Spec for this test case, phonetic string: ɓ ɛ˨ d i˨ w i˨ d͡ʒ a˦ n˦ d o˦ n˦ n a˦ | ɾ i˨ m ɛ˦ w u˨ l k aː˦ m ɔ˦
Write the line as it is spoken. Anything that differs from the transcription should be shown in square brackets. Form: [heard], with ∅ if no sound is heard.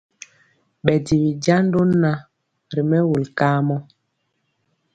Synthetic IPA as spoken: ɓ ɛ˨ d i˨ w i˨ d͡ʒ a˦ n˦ d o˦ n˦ n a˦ | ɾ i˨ m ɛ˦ w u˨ l k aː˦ m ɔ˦

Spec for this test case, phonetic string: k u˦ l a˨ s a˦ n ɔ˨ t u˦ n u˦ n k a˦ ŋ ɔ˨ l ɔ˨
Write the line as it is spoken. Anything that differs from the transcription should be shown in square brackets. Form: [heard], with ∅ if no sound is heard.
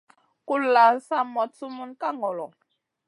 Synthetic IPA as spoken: k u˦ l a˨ s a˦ [m] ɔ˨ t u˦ [m] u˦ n k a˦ ŋ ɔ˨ l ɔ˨

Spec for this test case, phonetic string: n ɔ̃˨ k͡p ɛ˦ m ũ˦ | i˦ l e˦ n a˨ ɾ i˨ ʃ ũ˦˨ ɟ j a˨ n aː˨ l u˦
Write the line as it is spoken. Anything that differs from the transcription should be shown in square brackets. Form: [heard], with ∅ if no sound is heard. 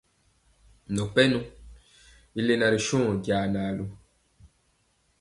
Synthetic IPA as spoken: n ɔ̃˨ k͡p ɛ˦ [n] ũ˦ | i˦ l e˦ n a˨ ɾ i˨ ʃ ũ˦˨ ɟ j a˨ n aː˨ l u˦

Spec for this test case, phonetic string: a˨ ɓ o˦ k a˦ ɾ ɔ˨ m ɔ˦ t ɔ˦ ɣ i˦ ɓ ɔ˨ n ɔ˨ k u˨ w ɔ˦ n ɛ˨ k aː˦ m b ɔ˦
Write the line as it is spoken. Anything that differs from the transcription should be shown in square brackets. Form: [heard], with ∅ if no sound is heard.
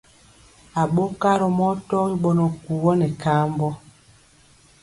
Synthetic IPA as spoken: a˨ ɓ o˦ k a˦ ɾ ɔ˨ m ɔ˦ t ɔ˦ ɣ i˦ ɓ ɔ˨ n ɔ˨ k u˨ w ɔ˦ n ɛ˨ k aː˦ m b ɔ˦

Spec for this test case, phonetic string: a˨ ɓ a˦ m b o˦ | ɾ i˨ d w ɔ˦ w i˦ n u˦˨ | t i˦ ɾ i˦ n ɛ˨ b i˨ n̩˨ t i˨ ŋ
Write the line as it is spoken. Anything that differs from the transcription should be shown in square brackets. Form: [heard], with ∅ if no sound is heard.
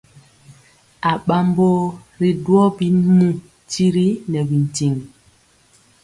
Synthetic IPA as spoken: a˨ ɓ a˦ m b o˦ | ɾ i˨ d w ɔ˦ [b] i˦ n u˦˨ | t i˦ ɾ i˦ n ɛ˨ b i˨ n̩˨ t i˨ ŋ

